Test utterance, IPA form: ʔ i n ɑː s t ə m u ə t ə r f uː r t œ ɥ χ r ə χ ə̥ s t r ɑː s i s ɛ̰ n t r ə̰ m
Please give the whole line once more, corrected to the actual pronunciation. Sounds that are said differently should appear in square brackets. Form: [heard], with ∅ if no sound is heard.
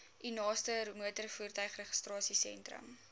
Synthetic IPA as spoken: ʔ i n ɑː s t ə m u ə t ə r f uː r t œ ɥ χ r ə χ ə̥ s t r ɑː s i s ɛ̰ n t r ə̰ m